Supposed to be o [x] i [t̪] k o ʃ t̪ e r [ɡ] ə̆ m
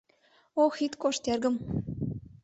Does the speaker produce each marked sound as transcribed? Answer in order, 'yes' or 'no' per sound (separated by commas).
yes, yes, yes